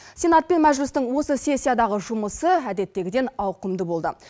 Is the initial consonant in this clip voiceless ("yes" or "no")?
yes